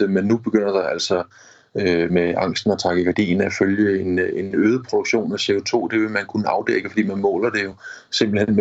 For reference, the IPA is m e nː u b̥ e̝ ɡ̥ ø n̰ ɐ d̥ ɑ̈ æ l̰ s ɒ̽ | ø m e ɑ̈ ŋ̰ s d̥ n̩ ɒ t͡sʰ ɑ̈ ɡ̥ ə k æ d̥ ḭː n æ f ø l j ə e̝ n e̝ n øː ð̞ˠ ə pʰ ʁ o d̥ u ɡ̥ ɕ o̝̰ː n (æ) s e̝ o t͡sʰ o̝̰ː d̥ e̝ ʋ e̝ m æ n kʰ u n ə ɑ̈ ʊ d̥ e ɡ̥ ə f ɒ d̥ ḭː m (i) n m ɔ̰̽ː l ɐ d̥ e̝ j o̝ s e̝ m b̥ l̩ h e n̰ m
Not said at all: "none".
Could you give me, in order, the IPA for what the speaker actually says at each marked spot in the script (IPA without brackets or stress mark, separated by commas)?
æ, æ